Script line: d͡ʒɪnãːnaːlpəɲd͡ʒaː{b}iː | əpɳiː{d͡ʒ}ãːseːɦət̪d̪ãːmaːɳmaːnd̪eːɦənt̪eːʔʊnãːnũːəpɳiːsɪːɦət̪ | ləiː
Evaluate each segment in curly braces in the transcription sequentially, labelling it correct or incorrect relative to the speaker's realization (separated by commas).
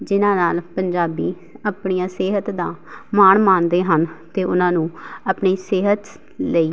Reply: correct, incorrect